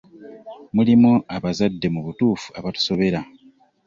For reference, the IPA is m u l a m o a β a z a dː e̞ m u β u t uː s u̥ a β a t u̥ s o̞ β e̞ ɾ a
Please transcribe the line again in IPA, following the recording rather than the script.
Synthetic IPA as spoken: m u l i m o a β a z a dː e̞ m u β u t uː f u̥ a β a t u̥ s o̞ β e̞ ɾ a

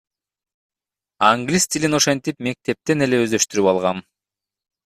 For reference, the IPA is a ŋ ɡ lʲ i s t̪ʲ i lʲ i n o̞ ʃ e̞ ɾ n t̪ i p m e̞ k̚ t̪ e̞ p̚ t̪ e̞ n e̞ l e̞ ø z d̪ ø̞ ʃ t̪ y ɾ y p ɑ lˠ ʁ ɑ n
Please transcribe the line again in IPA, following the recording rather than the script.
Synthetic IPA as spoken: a ŋ ɡ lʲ i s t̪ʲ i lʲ i n o̞ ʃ e̞ n t̪ i p m e̞ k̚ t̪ e̞ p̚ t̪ e̞ n e̞ l e̞ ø z d̪ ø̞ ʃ t̪ y ɾ y p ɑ lˠ ʁ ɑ n

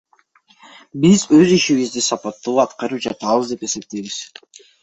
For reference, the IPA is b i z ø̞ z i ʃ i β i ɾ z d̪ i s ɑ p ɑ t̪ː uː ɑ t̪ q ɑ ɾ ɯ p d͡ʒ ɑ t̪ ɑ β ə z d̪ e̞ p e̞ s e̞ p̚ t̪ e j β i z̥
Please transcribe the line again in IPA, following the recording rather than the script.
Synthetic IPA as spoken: b i z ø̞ z i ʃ i β i z d̪ i s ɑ p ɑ t̪ː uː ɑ t̪ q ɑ ɾ ɯ p d͡ʒ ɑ t̪ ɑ β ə z d̪ e̞ p e̞ s e̞ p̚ t̪ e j β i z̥

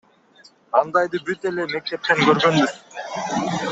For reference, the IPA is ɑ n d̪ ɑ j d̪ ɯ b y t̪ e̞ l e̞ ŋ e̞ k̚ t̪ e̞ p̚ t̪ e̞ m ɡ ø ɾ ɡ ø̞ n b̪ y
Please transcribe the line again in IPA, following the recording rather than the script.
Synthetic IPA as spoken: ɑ n d̪ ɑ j d̪ ɯ b y t̪ e̞ l e̞ m e̞ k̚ t̪ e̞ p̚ t̪ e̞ ŋ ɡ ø ɾ ɡ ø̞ n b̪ y

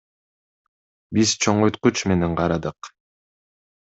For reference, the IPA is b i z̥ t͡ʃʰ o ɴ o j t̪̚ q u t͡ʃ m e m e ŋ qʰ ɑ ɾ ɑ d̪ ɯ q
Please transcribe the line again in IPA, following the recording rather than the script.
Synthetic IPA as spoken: b i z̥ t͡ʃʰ o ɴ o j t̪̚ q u t͡ʃ m e n e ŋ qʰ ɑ ɾ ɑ d̪ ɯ q

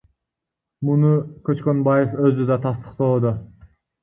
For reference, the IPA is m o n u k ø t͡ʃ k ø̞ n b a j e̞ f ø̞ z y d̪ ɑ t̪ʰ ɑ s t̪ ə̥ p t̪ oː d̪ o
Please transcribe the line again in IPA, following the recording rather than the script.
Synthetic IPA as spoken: m u n u k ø t͡ʃ k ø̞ n b a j e̞ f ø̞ z y d̪ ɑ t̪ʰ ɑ s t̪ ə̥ q t̪ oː d̪ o

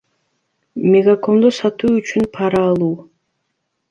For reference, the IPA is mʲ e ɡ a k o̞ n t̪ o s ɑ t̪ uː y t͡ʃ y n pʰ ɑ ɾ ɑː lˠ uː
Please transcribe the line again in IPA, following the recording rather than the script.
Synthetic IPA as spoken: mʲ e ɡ a k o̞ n d̪ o s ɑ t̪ uː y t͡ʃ y n pʰ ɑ ɾ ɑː lˠ uː

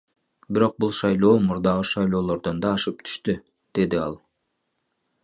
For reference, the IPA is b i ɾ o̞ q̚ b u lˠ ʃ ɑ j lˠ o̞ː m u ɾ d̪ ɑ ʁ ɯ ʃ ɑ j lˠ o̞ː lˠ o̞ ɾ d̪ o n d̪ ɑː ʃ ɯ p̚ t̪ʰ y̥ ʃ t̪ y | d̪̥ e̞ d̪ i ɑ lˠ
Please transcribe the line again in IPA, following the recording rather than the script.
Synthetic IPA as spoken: b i ɾ o̞ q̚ b u lˠ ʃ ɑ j lˠ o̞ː m u ɾ d̪ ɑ ʁ ɯ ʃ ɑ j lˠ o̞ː lˠ o̞ ɾ d̪ o n d̪ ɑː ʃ ɯ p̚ t̪ʰ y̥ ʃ t̪ y | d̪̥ e̞ d̪ i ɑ lˠ

